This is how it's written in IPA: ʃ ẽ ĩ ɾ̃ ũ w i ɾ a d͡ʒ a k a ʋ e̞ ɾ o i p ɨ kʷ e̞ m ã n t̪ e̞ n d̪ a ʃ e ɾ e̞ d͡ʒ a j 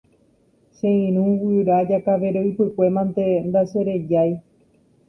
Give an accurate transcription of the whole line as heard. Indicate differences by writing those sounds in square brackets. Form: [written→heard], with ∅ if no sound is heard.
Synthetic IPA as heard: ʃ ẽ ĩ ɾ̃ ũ w i ɾ a d͡ʒ a k a ʋ e̞ ɾ o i p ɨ kʷ e̞ m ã n t̪ e̞ n d̪ a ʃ e ɾ e̞ d͡ʒ a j